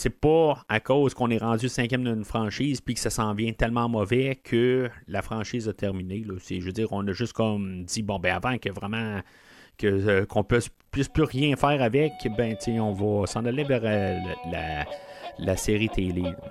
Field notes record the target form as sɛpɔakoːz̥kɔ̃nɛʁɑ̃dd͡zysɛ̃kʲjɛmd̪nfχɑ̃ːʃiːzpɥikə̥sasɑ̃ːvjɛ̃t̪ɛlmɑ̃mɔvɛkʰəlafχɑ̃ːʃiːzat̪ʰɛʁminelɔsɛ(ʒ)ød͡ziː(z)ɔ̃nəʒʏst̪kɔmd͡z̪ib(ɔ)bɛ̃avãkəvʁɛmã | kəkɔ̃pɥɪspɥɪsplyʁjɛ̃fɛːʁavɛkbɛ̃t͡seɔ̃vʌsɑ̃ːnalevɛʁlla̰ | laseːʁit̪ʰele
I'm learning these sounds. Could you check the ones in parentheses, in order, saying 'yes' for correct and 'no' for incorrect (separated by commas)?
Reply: yes, no, no